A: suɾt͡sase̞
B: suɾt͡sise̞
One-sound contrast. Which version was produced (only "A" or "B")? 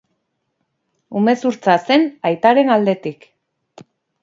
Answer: A